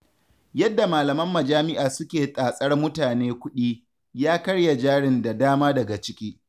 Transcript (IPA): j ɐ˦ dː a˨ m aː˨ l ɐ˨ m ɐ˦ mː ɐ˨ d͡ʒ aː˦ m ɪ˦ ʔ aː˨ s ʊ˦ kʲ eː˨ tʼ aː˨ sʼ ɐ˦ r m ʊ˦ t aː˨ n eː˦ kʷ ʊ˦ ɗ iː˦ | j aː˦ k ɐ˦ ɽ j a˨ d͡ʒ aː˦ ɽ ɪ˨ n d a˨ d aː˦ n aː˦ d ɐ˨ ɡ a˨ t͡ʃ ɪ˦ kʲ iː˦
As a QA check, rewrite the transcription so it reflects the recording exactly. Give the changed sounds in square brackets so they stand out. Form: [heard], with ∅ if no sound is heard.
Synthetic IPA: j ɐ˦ dː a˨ m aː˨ l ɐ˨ m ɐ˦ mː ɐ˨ d͡ʒ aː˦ m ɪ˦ ʔ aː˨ s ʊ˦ kʲ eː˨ tʼ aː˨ sʼ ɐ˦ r m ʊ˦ t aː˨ n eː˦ kʷ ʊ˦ ɗ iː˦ | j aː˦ k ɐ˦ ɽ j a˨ d͡ʒ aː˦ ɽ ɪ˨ n d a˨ d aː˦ [m] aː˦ d ɐ˨ ɡ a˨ t͡ʃ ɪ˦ kʲ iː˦